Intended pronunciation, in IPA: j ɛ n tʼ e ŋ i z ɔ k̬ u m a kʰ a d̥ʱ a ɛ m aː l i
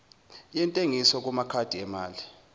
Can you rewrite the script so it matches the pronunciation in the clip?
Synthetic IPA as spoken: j ɛ n tʼ e ŋ i s ɔ k̬ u m a kʰ a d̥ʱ i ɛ m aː l i